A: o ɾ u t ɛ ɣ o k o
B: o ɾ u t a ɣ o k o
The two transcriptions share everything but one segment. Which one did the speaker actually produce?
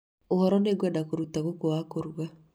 B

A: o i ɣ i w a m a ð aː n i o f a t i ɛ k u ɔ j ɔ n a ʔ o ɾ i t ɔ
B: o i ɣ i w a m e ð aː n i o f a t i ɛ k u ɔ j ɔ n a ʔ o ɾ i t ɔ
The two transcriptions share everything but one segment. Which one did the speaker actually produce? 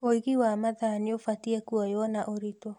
A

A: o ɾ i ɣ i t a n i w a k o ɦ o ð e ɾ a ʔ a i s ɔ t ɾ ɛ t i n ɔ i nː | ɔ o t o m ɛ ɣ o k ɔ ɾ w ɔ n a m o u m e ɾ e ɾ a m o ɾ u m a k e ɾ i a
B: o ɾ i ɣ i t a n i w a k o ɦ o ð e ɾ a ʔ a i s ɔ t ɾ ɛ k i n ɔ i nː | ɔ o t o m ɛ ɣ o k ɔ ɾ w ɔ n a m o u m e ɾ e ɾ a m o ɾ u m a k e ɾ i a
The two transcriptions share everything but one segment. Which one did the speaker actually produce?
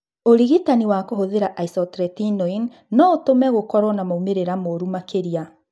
A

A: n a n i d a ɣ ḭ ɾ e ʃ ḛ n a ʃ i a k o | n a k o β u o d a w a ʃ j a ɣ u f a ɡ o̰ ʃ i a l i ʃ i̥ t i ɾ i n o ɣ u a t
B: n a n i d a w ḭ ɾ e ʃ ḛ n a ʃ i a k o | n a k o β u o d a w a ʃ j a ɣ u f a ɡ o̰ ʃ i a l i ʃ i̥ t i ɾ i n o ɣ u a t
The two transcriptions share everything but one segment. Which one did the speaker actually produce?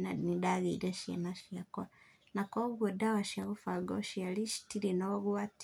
A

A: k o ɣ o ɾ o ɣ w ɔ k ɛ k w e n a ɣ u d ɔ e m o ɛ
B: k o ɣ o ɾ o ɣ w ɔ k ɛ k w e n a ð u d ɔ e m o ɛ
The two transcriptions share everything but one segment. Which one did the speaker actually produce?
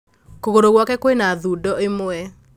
B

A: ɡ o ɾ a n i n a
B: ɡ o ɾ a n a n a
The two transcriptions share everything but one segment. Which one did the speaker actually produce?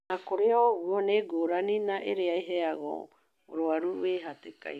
A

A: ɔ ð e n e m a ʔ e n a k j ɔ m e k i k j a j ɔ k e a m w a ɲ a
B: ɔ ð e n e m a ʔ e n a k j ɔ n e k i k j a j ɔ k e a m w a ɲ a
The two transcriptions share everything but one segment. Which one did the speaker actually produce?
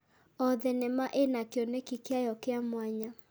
B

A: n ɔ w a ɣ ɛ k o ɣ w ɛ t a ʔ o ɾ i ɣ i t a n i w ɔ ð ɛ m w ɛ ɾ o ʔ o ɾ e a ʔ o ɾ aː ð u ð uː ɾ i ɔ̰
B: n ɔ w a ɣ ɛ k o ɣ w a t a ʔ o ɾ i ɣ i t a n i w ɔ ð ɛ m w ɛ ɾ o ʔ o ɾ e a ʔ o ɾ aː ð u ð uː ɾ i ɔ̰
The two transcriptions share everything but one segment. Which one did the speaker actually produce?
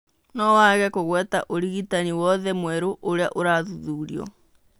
A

